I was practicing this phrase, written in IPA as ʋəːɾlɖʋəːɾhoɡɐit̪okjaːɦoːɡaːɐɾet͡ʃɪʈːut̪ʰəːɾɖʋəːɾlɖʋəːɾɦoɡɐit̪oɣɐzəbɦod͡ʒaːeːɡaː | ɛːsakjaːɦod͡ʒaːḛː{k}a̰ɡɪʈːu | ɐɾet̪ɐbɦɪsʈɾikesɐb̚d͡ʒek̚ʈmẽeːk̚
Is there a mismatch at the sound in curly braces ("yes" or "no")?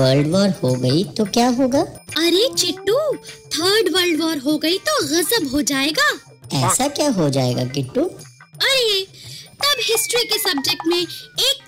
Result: yes